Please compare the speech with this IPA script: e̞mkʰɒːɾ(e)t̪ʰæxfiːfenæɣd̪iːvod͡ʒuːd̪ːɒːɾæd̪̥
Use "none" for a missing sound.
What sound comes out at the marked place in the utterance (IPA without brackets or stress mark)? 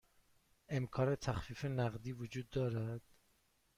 e